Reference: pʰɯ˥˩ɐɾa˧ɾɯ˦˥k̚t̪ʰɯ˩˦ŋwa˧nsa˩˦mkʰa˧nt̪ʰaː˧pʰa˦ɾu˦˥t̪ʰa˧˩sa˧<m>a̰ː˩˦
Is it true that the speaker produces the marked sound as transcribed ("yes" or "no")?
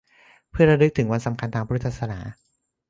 no